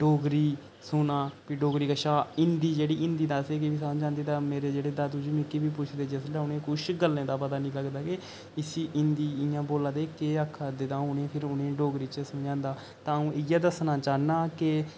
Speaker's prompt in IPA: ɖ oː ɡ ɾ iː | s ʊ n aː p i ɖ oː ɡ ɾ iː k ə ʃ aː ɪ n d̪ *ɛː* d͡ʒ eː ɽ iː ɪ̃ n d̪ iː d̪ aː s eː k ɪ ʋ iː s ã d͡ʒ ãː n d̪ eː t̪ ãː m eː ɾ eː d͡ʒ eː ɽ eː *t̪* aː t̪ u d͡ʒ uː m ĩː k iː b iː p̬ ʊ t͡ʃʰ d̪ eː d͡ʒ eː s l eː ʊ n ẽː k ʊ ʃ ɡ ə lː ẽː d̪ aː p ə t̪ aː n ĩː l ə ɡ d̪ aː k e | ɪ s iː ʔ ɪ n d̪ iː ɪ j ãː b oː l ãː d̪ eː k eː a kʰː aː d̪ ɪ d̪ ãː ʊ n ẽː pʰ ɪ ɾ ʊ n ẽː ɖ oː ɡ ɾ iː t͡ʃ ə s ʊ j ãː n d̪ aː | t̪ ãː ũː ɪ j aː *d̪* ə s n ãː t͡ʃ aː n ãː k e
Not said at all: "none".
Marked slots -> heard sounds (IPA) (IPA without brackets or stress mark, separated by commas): iː, d̪, d̪